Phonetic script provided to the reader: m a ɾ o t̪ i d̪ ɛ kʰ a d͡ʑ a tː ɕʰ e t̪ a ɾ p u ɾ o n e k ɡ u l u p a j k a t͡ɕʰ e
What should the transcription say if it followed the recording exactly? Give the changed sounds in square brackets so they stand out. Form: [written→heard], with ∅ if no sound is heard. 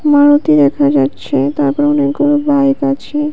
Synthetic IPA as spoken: m a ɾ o t̪ i d̪ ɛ kʰ a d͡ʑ a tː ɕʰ e t̪ a ɾ p [u→ɔ] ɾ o n e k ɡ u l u [p→b] a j k a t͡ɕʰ e